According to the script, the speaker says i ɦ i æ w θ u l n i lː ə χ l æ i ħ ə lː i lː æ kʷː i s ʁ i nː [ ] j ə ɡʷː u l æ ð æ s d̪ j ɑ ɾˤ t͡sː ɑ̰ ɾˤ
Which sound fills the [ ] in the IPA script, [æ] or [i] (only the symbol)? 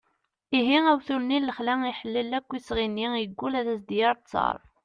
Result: i